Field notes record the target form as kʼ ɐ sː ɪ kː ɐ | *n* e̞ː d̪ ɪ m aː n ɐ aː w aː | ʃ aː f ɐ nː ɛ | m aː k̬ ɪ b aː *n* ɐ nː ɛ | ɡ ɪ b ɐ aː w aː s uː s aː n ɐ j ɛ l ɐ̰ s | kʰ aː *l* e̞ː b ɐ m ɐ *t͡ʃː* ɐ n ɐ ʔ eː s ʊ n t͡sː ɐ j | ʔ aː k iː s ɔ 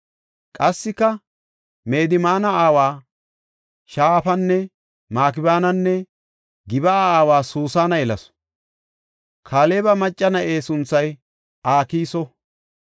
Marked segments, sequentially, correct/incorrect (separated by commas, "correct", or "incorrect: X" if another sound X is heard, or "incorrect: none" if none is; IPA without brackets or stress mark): incorrect: m, correct, correct, incorrect: t͡ʃʼː